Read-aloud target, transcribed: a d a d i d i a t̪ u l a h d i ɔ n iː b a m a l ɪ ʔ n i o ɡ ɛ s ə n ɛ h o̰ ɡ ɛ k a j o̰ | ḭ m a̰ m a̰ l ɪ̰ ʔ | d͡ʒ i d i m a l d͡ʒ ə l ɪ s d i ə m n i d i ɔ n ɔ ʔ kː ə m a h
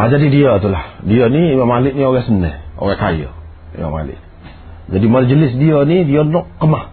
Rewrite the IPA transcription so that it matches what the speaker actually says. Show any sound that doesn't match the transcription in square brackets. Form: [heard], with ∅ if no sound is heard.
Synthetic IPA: a [d͡ʒ] a d i d i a t̪ u l a h d i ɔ n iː [m] a m a l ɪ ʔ n i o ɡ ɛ s ə n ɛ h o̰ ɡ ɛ k a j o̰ | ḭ m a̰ m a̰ l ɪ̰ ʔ | d͡ʒ [a] d i m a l d͡ʒ ə l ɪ s d i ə [∅] n i d i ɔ n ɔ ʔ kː ə m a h